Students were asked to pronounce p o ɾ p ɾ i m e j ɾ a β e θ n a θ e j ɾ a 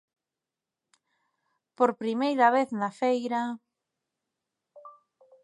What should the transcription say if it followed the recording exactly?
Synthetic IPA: p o ɾ p ɾ i m e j ɾ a β e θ n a f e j ɾ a